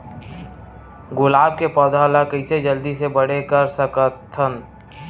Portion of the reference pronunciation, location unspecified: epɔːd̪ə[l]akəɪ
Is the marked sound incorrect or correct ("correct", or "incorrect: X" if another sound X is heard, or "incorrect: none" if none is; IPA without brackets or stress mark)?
correct